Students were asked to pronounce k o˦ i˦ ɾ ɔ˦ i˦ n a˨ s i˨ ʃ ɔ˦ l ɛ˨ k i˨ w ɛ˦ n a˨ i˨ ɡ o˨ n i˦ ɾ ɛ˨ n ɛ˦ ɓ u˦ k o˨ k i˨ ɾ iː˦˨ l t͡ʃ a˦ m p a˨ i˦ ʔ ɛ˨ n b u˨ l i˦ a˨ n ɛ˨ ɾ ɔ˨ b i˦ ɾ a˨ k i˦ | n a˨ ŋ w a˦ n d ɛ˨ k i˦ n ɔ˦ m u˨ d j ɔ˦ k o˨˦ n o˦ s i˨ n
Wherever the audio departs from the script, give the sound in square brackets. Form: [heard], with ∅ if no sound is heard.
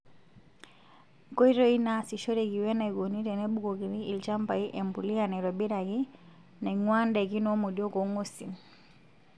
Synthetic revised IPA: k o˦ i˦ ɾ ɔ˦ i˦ n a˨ s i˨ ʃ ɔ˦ [ɾ] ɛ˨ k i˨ w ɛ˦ n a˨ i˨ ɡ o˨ n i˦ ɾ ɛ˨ n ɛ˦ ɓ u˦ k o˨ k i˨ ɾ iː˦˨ l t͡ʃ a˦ m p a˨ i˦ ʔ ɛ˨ [m] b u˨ l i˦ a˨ n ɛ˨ ɾ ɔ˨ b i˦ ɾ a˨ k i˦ | n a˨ ŋ w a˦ n d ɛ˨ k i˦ n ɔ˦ m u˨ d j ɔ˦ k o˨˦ [ŋ] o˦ s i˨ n